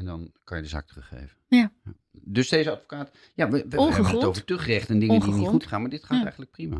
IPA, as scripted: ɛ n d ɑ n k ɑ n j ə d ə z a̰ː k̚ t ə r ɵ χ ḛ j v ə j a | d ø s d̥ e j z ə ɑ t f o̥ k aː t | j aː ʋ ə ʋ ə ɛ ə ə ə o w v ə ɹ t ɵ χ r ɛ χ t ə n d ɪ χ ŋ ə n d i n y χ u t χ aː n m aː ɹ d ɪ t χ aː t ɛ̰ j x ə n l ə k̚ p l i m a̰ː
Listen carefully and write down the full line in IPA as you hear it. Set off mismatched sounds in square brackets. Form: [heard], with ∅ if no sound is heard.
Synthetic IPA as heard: ɛ n d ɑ n k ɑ n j ə d ə z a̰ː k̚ t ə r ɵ χ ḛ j v ə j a | d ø s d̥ e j z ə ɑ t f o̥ k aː t | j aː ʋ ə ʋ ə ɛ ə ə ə o w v ə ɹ t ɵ χ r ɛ χ t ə n d ɪ [∅] ŋ ə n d i n [i] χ u t χ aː n m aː ɹ d ɪ t χ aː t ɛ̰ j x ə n l ə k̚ p [r] i m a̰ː